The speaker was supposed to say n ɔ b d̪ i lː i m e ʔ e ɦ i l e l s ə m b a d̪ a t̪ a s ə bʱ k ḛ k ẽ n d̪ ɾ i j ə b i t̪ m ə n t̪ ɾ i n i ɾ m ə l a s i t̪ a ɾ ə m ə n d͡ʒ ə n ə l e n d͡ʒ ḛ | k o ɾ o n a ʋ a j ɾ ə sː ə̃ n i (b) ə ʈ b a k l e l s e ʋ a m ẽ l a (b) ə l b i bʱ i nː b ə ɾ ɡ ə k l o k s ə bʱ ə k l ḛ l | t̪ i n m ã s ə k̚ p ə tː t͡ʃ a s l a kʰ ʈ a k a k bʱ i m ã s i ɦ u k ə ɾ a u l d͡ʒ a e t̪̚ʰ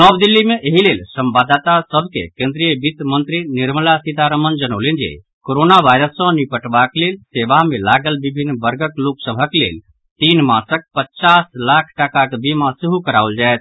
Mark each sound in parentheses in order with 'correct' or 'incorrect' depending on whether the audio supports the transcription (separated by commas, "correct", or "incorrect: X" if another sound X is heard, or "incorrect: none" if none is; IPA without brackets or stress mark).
incorrect: p, incorrect: ɡ